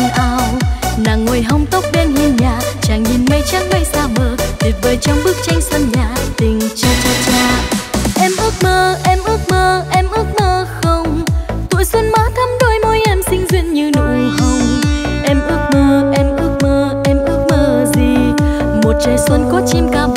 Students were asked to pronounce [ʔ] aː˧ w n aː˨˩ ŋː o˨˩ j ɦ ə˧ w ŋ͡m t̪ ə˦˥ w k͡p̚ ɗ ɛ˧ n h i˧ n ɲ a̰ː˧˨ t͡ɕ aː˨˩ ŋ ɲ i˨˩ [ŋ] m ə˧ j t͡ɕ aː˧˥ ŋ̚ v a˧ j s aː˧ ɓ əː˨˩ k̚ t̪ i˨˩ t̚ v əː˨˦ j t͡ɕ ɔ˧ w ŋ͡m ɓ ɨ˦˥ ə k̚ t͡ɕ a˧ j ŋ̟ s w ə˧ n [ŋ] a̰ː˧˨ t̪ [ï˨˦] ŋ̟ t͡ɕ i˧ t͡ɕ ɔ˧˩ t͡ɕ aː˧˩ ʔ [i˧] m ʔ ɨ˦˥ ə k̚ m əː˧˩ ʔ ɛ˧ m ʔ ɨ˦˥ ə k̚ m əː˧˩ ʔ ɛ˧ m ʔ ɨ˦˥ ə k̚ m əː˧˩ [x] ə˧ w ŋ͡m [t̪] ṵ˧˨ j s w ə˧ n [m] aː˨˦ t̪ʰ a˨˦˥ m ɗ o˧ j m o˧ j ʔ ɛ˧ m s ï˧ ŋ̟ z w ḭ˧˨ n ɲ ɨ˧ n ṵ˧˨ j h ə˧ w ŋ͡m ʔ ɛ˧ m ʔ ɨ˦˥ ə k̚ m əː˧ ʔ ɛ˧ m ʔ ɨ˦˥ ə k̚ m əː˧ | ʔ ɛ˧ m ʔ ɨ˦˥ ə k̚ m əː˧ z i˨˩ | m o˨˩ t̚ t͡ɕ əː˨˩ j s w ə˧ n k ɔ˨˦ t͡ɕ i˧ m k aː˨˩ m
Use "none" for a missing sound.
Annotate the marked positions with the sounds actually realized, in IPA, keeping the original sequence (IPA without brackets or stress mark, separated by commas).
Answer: ʔ, n, ɲ, ï˨˩, ɛ˧, x, t̪, m